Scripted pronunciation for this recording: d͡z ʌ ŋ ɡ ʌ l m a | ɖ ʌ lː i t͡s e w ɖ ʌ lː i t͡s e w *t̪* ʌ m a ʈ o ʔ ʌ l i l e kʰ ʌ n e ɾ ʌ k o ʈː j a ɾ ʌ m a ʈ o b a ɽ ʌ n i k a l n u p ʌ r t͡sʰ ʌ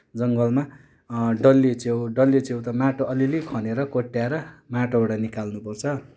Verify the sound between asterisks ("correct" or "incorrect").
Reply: correct